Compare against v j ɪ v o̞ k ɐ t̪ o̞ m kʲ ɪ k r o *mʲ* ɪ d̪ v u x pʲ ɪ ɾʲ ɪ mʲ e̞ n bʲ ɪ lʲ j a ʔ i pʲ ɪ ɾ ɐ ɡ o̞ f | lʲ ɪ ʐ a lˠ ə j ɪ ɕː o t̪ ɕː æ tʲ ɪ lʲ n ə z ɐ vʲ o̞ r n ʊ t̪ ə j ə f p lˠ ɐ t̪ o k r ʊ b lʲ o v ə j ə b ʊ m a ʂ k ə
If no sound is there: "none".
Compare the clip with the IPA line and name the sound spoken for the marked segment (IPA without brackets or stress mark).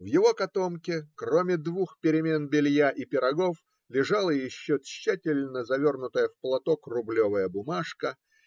mʲ